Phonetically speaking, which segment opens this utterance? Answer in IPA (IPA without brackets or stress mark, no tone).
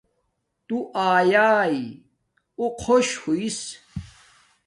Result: t̪